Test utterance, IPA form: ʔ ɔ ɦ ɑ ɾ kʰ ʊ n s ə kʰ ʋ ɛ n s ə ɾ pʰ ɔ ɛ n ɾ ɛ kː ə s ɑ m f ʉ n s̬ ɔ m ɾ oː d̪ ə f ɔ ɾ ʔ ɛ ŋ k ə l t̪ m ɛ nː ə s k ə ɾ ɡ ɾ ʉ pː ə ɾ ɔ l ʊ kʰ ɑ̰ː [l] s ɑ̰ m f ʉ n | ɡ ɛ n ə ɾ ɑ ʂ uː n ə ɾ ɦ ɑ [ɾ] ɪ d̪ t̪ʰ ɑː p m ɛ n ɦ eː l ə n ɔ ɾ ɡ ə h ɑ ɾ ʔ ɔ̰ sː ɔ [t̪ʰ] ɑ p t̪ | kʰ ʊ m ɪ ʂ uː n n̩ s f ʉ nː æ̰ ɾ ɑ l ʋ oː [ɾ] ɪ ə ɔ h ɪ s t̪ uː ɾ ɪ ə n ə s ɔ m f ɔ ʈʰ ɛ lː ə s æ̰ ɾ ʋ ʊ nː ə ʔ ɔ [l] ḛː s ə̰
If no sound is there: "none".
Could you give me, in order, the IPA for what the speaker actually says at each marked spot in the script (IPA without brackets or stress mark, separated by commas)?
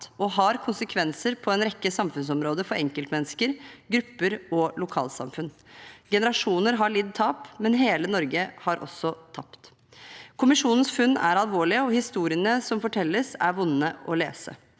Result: l, ɭ, t̪ʰ, ɭ, l